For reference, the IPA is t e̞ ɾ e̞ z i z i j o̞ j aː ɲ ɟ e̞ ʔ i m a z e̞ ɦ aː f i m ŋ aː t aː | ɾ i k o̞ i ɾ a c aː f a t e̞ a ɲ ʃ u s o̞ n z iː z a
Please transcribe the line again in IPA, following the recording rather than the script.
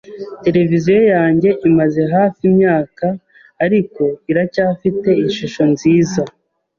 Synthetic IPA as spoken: t e̞ ɾ e̞ v i z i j o̞ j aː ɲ ɟ e̞ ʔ i m a z e̞ ɦ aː f i m ɲ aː k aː | ɾ i k o̞ i ɾ a c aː f i t e̞ i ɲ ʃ u ʃ o̞ n z iː z a